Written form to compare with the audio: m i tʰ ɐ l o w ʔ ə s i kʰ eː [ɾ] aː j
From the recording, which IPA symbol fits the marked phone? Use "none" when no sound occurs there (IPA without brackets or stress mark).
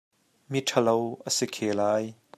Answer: l